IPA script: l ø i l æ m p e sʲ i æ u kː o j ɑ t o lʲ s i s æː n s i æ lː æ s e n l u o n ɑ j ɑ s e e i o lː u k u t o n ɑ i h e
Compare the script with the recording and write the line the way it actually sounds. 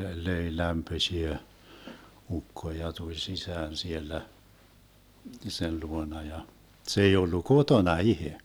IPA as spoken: l ø i l æ m p ø sʲ i æ u kː o j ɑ t u lʲ s i s æː n s i e lː æ s e n l u o n ɑ j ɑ s e e i o lː u k o t o n ɑ i h e

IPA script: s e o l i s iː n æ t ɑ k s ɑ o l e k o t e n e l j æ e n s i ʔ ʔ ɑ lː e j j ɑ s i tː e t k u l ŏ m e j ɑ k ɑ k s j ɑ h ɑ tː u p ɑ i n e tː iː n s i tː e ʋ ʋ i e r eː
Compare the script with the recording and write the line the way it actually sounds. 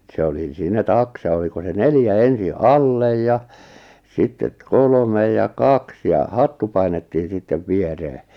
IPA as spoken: s e o l i s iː n æ t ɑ k s ɑ o l i k o s e n e l j æ e n s i ʔ ʔ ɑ lː e j j ɑ s i tː e t k o l ŏ m e j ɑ k ɑ k s j ɑ h ɑ tː u p ɑ i n e tː iː n s i tː e ʋ ʋ i e r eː

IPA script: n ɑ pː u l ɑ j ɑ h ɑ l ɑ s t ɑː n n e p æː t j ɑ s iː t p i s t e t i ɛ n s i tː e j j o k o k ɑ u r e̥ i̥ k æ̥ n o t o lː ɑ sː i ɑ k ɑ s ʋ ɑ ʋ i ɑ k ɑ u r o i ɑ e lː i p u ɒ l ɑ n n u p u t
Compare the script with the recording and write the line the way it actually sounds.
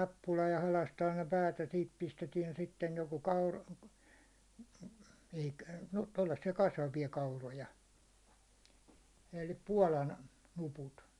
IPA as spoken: n ɑ pː u l ɑ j ɑ h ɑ l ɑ s t ɑː n n e p æː t j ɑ s iː t p i s t e t i ɛ n s i tː e j j o k o k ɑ u r e̥ i̥ k æ̥ n o t o lː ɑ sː i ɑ k ɑ s ʋ ɑ ʋ i ɑ k ɑ u r o j ɑ e lː i p u ɒ l ɑ n n u p u t

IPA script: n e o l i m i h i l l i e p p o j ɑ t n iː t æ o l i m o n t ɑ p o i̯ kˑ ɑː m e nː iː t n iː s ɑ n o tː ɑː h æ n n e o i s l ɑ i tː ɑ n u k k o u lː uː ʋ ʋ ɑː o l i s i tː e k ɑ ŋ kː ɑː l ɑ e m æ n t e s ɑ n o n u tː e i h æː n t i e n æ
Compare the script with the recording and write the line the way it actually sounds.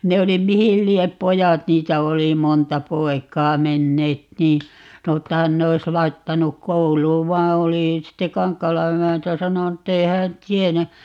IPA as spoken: n e o l i m i h i l l i e p p o j ɑ t n iː t æ o l i m o n t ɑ p o i̯ kˑ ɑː m e nː eː t n iː s ɑ n o tː ɑ h æ n n e o i s l ɑ i tː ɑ n u k k o u l uː ʋ ʋ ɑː o l i s i tː e k ɑ ŋ kː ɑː l ɑ e m æ n t æ s ɑ n o n u tː e i h æː n t i e n æ

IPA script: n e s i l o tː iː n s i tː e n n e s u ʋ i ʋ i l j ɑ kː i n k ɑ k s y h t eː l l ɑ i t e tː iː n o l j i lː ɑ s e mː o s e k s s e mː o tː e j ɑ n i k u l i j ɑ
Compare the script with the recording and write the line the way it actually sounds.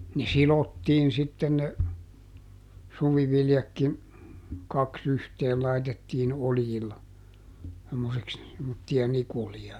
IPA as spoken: n e s i l o tː iː n s i tː e n n e s u ʋ i ʋ i l j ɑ kː i n k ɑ k s y h t eː l l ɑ i t e tː iː n o l j i lː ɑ s e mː o s e k s s e mː o tː i j ɑ n i k u l i j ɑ

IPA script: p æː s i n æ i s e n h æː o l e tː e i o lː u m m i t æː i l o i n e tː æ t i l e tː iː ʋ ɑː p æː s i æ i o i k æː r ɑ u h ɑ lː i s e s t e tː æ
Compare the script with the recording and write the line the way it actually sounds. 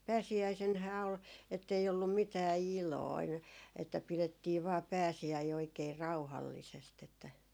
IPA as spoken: p æː s i æ i s e n h æː o l e tː e i o lː u m m i t æː i l o i n e tː æ p i l e tː iː ʋ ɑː p æː s i æ i o i k eː r ɑ u h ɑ lː i s e s t e tː æ

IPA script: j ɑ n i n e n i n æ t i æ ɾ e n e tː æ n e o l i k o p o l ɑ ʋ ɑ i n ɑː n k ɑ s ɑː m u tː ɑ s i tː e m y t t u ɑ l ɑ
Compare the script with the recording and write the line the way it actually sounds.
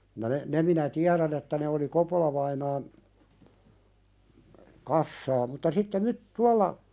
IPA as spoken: j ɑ n e n e m i n æ t i æ ɾ æ n e tː æ n e o l i k o p o l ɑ ʋ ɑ i n ɑː n k ɑ sː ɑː m u tː ɑ s i tː e m y t t u ɑ lː ɑ

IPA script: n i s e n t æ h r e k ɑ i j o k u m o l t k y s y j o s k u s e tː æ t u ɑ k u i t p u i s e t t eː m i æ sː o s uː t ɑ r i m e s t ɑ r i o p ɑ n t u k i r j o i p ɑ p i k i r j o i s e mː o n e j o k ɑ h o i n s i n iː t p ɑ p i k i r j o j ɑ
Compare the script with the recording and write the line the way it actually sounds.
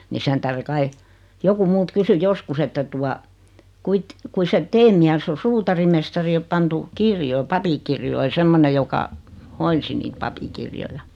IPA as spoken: n i s e n t æ h r e k ɑ i j o k u m u l t k y s y j o s k u s e tː æ t u ɑ k u i t k u i s e t t eː m i æ sː o s uː t ɑ r i m e s t ɑ r i o p ɑ n t u k i r j o i p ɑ p i k i r j o i s e mː o n e j o k ɑ h o i n s i n iː t p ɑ p i k i r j o j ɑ

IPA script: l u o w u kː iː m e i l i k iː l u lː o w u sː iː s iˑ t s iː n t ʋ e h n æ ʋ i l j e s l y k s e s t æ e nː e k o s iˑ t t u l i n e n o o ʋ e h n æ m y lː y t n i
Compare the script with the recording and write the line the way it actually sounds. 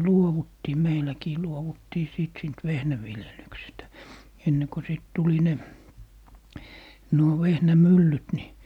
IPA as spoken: l u o w u tː iː m e i l æ k iː l u o w u tː iː s iˑ t s iː n t ʋ e h n æ ʋ i l j e l y k s e s t æ e nː e k o s iˑ t t u l i n e n u o ʋ e h n æ m y lː y t n i

